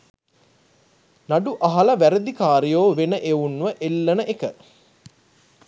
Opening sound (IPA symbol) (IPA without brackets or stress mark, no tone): n